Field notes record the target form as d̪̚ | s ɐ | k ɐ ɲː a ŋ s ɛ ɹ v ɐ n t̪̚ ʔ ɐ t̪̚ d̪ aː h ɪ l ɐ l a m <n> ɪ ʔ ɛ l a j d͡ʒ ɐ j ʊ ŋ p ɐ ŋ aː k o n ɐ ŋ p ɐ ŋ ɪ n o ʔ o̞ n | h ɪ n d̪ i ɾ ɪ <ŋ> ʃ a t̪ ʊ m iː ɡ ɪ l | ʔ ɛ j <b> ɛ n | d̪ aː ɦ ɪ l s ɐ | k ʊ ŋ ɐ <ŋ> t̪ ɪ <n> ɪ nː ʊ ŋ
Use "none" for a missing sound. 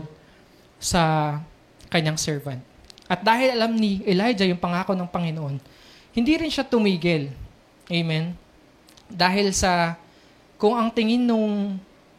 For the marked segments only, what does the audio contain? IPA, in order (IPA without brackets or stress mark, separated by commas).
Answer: n, n, m, ŋ, ŋ